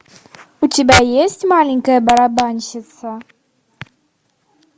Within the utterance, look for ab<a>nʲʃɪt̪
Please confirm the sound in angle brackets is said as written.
yes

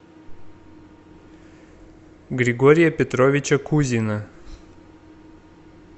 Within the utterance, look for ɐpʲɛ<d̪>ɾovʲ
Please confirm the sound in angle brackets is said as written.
no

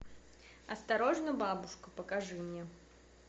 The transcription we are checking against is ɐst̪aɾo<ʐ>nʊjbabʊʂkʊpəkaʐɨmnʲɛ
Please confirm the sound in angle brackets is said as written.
yes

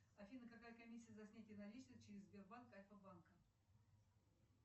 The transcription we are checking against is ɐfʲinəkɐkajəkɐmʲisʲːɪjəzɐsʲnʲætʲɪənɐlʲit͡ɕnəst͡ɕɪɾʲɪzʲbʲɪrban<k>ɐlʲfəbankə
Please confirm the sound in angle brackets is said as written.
yes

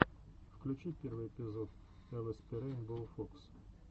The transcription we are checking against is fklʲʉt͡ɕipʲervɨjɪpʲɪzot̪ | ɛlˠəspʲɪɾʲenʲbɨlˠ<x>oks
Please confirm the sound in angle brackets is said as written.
no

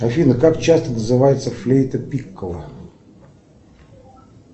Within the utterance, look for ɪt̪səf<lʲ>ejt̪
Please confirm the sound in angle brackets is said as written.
yes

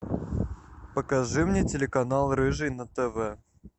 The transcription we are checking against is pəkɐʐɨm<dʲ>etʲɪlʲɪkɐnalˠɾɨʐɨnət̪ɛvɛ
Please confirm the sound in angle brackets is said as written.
no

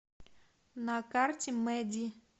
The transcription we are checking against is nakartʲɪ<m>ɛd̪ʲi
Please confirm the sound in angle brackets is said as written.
yes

